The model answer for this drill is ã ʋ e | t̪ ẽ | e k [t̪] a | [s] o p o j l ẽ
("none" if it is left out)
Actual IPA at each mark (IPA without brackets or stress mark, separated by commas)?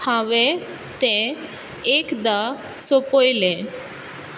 d̪, s